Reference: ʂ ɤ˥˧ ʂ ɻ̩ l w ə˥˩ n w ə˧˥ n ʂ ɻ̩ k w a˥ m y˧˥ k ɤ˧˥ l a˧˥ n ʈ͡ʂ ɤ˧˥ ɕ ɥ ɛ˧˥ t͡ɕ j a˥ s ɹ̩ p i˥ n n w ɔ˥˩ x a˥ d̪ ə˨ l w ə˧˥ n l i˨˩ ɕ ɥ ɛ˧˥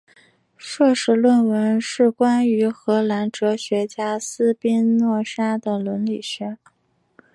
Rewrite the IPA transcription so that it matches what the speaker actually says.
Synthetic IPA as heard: ʂ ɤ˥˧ ʂ ɻ̩ l w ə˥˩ n w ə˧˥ n ʂ ɻ̩ k w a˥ n y˧˥ x ɤ˧˥ l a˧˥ n ʈ͡ʂ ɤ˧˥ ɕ ɥ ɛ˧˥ t͡ɕ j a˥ s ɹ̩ p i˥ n n w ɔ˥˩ ʂ a˥ d̪ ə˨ l w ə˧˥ n l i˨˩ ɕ ɥ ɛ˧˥